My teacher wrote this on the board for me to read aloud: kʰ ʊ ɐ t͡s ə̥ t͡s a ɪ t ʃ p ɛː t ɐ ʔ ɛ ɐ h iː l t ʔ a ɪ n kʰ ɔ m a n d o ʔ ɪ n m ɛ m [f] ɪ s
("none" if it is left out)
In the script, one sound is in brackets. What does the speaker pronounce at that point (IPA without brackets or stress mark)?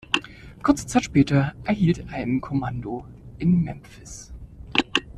f